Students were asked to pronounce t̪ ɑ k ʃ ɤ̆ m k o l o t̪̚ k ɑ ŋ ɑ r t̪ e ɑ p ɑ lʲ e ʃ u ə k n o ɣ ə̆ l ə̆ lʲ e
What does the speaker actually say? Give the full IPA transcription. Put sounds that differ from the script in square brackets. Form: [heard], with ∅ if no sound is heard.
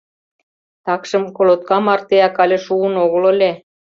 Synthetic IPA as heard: t̪ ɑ k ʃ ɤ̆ m k o l o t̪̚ k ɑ [m] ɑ r t̪ e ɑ [k] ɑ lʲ e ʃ u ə [∅] n o ɣ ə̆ l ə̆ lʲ e